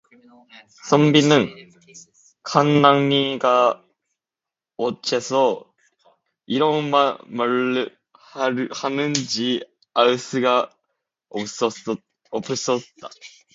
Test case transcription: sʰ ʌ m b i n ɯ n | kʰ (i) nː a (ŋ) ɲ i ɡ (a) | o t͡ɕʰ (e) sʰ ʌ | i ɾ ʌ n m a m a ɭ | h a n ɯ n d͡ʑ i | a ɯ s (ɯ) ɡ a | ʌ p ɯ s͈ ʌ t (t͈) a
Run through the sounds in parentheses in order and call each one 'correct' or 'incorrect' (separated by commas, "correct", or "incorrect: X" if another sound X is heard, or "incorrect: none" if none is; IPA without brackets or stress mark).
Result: incorrect: a, correct, correct, correct, correct, correct